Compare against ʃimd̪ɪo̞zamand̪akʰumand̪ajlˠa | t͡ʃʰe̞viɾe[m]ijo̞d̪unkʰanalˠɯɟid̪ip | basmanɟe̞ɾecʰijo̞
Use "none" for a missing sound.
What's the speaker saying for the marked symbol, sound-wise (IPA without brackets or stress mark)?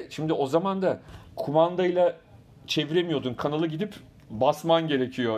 m